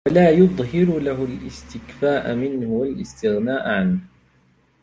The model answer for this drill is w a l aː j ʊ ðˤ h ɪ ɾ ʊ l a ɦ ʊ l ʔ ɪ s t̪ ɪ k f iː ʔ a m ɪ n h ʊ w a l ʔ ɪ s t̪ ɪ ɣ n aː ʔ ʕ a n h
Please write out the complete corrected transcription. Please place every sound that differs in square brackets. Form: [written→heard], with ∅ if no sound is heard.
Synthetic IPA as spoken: w a l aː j ʊ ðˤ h ɪ ɾ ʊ l a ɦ ʊ l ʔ ɪ s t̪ ɪ k f [iː→aː] ʔ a m ɪ n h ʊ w a l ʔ ɪ s t̪ ɪ ɣ n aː ʔ ʕ a n h